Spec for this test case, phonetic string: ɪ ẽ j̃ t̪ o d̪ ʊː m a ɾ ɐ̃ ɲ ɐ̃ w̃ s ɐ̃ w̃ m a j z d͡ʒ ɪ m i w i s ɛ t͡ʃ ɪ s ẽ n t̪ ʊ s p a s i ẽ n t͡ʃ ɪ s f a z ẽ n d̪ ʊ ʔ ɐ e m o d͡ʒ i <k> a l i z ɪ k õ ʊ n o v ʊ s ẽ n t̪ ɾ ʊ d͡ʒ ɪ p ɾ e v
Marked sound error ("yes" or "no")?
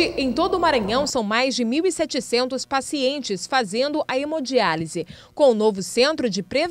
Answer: yes